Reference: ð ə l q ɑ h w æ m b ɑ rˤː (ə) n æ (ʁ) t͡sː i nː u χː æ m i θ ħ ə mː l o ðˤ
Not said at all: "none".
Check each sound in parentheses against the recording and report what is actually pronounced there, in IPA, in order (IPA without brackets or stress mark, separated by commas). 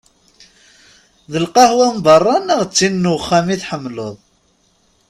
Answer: ɑ, ʁ